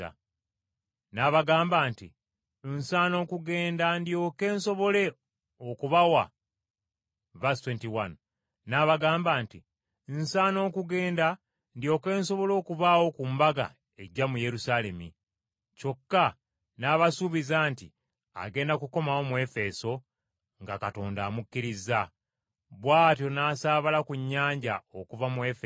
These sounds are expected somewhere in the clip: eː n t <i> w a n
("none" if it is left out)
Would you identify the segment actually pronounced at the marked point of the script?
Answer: i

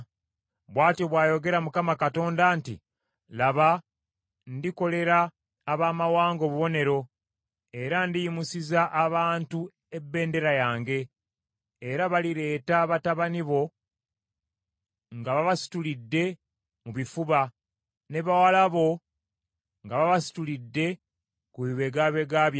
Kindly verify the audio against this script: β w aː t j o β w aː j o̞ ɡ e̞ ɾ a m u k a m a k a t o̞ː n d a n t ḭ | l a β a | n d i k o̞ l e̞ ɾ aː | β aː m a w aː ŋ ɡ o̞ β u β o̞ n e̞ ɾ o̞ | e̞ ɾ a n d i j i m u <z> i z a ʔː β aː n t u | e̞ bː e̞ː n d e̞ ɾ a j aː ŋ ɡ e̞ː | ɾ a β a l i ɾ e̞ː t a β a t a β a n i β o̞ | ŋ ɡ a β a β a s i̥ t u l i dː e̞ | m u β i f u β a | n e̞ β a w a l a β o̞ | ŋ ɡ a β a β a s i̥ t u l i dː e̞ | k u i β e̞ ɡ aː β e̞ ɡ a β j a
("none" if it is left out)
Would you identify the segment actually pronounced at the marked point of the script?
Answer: s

